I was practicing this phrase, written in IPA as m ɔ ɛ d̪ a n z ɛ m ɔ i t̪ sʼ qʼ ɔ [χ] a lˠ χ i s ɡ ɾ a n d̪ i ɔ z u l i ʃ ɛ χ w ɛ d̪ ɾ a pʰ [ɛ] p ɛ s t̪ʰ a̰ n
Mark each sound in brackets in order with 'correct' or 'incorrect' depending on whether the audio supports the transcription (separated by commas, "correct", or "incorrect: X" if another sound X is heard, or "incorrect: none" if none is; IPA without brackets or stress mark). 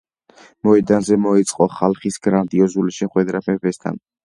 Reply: correct, correct